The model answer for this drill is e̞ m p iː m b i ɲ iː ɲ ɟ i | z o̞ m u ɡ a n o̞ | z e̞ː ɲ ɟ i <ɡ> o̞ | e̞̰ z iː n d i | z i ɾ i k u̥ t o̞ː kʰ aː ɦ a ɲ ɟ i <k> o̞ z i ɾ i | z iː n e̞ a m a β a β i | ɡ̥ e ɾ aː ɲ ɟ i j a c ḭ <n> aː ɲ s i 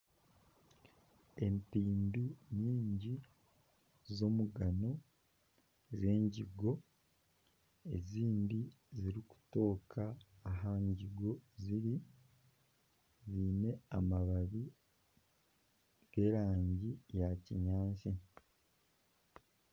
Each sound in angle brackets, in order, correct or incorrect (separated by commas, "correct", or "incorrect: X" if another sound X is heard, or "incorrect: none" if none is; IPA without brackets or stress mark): correct, incorrect: ɡ, incorrect: ɲ